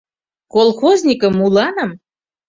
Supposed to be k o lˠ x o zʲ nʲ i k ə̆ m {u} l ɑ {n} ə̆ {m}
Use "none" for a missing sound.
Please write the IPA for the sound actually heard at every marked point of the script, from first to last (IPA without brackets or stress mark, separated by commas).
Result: u, n, m